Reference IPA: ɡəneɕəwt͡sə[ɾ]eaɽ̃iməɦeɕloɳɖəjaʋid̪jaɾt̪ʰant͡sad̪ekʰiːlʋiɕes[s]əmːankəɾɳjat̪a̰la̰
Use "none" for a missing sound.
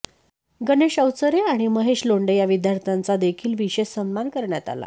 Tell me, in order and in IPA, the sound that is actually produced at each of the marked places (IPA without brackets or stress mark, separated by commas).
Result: ɾ, s